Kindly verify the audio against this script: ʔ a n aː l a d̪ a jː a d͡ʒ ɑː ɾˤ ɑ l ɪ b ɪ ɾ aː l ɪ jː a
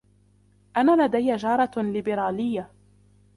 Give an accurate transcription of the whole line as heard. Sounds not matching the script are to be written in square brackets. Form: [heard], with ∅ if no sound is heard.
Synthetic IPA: ʔ a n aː l a d̪ a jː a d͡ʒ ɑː ɾˤ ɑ l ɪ b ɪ ɾ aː l ɪ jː a